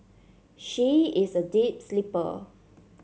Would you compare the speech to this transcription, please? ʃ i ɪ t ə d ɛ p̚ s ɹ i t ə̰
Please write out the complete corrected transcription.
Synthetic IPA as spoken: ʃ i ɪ s ə d i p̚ s l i p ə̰